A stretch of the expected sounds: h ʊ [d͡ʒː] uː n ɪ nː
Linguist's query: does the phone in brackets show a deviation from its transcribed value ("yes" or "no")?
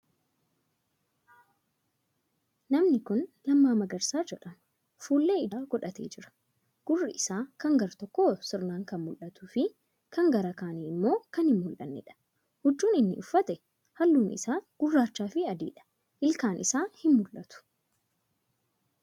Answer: no